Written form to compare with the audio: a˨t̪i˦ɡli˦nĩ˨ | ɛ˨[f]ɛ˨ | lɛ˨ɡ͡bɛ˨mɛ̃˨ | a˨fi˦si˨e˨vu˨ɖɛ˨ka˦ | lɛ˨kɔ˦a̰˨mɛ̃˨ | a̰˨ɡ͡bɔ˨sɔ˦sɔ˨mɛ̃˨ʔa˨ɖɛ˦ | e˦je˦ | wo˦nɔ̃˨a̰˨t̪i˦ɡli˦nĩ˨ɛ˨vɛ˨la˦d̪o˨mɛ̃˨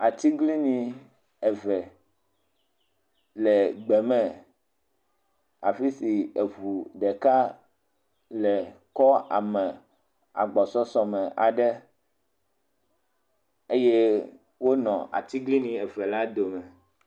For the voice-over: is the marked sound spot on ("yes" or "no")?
no